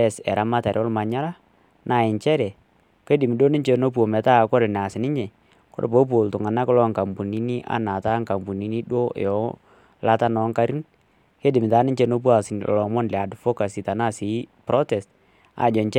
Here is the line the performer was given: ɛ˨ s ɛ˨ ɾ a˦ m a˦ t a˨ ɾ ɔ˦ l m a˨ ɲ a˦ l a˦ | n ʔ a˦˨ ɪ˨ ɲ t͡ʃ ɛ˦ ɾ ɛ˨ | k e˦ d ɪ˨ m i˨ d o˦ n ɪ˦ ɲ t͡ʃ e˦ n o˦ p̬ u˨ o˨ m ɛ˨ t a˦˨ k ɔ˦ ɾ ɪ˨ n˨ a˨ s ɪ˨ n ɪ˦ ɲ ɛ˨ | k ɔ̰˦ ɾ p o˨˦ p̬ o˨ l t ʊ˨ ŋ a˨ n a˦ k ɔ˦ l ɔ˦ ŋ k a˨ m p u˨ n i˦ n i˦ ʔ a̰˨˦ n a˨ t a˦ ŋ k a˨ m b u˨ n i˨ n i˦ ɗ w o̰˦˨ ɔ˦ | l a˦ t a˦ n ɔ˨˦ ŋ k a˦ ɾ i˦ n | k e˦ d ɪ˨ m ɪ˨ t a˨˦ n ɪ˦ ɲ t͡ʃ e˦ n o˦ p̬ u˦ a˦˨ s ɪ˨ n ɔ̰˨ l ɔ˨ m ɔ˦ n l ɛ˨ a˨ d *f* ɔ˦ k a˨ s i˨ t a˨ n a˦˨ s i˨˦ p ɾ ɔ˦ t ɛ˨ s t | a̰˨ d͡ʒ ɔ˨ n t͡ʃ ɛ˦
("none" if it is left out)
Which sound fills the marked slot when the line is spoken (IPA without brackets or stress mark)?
f